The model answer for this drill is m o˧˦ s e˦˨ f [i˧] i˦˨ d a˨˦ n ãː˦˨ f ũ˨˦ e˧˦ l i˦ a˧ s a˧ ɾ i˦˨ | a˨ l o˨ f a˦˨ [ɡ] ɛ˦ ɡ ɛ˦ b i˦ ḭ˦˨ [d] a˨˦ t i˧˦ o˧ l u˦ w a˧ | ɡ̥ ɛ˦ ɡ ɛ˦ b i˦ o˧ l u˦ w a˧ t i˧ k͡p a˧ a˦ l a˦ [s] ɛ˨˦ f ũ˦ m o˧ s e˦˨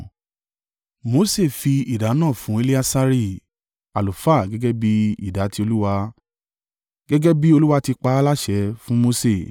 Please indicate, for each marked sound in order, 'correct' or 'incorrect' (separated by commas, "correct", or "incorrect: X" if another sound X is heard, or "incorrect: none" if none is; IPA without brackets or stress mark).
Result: correct, correct, correct, incorrect: ʃ